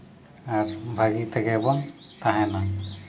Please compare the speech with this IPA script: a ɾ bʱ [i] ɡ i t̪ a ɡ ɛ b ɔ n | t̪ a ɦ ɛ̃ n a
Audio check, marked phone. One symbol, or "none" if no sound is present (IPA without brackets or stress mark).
a